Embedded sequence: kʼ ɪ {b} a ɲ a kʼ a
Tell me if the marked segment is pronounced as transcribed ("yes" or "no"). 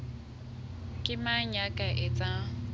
no